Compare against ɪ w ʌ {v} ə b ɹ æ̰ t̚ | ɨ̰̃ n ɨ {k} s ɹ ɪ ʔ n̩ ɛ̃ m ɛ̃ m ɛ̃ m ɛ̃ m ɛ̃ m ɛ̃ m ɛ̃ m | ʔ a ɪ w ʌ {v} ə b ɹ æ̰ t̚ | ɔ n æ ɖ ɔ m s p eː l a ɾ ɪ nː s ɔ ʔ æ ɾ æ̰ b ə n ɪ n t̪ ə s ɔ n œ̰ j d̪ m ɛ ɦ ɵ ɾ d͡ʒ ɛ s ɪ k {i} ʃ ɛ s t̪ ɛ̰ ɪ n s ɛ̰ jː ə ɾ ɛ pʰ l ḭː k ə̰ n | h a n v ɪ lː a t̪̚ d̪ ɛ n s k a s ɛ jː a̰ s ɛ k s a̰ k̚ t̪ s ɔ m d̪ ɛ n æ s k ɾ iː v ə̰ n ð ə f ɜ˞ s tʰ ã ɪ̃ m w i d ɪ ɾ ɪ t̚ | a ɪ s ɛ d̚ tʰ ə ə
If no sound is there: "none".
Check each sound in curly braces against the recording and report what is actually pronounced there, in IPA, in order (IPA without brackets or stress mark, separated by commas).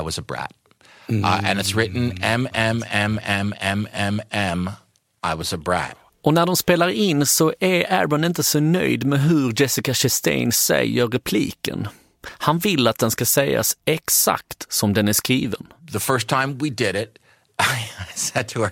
z, t, z, a